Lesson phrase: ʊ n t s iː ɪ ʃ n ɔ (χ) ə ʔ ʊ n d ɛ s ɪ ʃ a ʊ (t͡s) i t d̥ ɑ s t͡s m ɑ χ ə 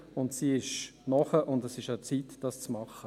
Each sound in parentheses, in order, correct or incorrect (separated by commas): correct, correct